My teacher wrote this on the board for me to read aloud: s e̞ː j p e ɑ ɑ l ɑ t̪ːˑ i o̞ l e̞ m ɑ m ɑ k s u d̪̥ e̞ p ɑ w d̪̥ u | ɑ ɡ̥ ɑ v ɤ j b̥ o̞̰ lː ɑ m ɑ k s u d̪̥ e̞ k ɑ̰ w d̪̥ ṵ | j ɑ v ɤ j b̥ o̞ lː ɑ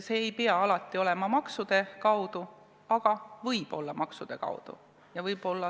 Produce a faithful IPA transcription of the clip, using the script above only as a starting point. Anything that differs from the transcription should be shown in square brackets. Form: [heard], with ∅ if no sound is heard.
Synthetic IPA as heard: s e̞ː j p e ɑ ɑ l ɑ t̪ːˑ i o̞ l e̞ m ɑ m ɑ k s u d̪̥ e̞ [k] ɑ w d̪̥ u | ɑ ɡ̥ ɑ v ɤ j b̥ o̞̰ lː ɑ m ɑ k s u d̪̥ e̞ k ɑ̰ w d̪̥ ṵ | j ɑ v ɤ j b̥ o̞ lː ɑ